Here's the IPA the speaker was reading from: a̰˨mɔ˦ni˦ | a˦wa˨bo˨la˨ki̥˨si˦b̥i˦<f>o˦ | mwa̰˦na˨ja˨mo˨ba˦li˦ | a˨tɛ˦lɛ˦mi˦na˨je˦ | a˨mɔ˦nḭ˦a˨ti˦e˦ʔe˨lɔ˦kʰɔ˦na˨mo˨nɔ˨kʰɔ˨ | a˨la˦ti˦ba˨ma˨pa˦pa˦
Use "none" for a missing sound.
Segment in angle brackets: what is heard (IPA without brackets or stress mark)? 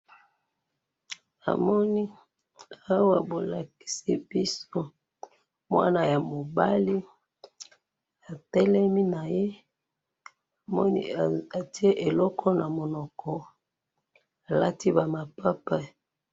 s